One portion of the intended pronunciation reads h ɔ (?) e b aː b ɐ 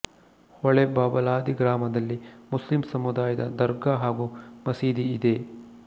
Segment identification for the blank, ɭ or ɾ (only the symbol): ɭ